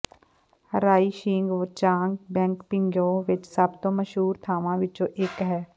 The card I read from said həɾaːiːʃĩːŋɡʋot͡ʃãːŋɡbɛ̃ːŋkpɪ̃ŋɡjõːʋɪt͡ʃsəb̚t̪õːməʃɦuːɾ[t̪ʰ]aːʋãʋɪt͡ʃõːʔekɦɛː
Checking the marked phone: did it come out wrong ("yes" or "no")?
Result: no